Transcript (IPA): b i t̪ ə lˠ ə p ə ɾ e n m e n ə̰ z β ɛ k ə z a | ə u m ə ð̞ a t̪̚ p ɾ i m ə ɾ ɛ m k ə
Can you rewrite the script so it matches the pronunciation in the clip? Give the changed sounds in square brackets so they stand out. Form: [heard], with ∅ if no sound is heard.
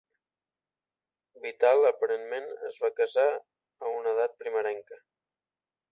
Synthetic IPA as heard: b i t̪ [a] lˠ ə p ə ɾ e n m e n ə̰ z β [a] k ə z a | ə u [n] ə ð̞ a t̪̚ p ɾ i m ə ɾ ɛ [ŋ] k ə